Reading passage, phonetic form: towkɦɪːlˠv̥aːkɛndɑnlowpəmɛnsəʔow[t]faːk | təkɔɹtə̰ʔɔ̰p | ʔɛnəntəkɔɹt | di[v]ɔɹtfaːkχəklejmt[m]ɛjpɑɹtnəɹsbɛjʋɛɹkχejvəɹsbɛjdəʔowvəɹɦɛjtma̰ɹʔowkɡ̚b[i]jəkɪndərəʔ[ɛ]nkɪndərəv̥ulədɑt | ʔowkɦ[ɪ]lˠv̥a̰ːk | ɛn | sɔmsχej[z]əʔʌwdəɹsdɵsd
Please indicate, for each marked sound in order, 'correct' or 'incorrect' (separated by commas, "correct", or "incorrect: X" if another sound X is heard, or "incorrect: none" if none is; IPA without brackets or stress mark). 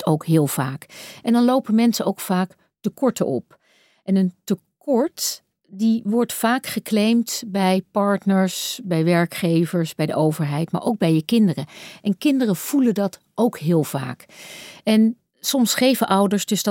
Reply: incorrect: k, incorrect: ʋ, incorrect: b, incorrect: ɛ, correct, incorrect: ɪː, incorrect: v